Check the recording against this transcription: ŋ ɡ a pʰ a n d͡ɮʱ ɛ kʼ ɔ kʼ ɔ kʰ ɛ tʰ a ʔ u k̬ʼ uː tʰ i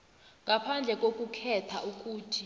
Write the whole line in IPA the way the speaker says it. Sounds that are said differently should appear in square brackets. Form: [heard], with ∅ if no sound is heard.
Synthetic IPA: ŋ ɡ a pʰ a n d͡ɮʱ ɛ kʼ [o] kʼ [u] kʰ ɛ tʰ a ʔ u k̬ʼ uː tʰ i